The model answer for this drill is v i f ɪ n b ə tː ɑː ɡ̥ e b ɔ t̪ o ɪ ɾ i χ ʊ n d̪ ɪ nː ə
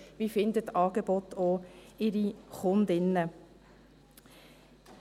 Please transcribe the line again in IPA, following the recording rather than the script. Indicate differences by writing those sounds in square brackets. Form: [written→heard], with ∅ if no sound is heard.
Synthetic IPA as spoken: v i f ɪ n [b→d] ə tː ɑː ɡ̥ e b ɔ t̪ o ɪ ɾ i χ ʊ n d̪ ɪ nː ə